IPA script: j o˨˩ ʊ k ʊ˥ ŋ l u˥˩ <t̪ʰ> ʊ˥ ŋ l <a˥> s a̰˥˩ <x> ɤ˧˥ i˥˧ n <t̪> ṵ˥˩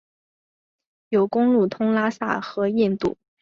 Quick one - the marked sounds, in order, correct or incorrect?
correct, correct, correct, correct

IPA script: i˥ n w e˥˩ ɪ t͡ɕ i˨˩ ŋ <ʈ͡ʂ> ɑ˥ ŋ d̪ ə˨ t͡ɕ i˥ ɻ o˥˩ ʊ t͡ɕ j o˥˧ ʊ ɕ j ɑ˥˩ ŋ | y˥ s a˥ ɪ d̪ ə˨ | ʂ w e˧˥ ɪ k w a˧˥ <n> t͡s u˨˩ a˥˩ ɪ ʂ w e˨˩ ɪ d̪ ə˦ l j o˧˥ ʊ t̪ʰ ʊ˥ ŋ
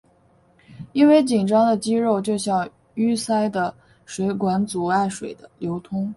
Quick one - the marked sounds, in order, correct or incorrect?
correct, correct

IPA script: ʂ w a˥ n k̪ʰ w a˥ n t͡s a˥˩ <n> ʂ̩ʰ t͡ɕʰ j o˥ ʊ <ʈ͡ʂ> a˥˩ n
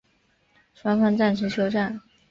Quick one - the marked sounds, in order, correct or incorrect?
correct, correct

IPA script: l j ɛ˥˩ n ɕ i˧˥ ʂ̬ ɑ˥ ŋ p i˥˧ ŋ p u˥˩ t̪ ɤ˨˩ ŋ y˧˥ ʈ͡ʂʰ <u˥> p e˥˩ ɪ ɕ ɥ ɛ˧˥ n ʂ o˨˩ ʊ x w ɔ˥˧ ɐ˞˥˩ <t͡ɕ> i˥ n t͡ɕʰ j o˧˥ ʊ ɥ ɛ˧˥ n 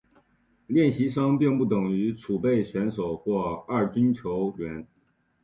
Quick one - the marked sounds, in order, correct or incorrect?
incorrect, correct

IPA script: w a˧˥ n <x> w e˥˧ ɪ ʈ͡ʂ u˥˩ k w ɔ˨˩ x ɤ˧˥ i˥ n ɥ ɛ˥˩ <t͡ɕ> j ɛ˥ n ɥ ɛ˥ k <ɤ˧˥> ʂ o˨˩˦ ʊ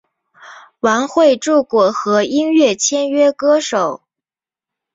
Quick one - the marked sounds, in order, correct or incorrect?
correct, incorrect, incorrect

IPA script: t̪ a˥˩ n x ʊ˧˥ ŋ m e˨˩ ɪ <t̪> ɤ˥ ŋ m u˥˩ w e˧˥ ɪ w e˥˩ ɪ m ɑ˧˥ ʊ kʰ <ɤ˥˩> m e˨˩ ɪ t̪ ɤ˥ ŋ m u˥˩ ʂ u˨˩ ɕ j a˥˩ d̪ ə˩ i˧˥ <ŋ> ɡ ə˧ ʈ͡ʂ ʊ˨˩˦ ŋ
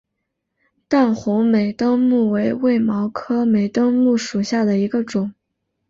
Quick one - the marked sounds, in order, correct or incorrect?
correct, incorrect, incorrect

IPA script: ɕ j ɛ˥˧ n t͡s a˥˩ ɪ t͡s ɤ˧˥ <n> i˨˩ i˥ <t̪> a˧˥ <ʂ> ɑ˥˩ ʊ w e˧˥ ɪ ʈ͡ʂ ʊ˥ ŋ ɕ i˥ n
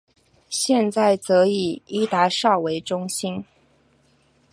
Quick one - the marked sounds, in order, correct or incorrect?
incorrect, correct, correct

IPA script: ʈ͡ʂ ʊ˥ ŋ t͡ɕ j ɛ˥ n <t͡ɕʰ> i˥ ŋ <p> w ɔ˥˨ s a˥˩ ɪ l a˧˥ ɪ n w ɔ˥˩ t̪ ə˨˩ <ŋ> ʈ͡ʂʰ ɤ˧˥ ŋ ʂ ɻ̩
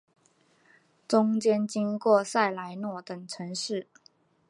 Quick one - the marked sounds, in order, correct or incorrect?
incorrect, incorrect, correct

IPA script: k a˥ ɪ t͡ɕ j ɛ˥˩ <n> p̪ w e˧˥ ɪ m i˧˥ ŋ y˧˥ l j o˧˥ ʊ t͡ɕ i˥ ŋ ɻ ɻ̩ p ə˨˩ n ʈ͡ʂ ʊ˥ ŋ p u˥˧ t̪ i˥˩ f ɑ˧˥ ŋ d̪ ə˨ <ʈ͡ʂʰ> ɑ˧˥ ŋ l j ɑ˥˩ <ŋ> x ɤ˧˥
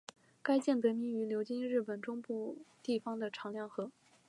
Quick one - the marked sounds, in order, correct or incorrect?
correct, correct, correct

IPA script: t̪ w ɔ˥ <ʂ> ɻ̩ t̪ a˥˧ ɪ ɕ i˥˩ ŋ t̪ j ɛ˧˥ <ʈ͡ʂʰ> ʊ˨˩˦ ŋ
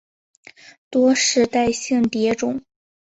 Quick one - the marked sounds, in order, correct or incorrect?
correct, incorrect

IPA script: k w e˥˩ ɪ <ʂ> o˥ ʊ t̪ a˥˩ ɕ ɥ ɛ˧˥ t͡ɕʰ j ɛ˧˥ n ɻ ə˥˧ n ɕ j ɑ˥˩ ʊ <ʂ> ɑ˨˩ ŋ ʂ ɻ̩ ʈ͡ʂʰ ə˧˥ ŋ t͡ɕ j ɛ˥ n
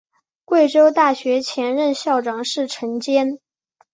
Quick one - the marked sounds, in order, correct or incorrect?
incorrect, incorrect

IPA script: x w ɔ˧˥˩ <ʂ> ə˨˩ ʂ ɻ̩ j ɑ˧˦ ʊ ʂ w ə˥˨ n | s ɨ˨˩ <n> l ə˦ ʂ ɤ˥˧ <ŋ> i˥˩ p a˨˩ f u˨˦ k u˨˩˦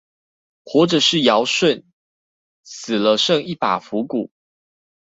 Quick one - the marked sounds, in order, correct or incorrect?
incorrect, incorrect, correct

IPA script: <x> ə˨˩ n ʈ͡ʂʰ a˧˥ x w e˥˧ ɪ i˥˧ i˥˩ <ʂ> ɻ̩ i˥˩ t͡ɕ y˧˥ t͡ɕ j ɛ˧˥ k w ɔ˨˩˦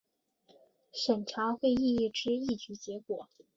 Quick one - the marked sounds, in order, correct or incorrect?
incorrect, incorrect

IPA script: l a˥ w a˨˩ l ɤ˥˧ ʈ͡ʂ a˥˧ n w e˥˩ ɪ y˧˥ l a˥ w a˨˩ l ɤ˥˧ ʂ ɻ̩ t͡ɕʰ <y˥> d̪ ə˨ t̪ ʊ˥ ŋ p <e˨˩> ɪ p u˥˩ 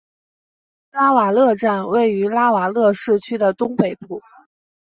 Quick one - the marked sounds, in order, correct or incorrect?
correct, correct

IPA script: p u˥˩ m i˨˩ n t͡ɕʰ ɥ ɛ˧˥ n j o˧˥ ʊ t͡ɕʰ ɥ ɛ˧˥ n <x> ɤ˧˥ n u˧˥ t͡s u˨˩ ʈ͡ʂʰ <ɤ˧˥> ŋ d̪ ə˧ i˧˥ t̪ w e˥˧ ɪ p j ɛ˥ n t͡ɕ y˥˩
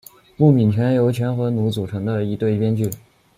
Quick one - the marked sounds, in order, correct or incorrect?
correct, correct

